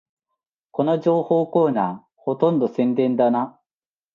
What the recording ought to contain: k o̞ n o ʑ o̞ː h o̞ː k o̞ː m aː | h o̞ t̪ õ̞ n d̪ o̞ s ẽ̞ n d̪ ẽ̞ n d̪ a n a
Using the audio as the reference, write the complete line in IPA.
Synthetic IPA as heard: k o̞ n o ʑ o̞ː h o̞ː k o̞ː n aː | h o̞ t̪ õ̞ n d̪ o̞ s ẽ̞ n d̪ ẽ̞ n d̪ a n a